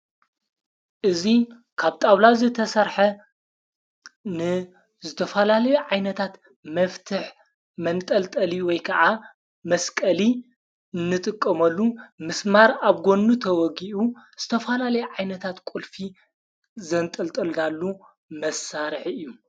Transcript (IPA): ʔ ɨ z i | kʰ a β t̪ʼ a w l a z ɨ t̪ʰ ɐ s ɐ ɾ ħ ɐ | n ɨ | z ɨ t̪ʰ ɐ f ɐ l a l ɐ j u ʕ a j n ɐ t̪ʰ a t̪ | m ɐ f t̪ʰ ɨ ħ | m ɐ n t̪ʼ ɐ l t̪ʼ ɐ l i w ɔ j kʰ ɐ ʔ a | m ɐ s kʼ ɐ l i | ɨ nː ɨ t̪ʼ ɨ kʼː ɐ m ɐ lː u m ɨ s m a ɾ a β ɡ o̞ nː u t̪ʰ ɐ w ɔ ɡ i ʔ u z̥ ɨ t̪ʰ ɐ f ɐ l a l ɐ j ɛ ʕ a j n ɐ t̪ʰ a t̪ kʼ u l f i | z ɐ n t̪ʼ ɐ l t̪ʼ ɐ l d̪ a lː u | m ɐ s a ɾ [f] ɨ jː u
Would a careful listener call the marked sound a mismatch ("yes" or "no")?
yes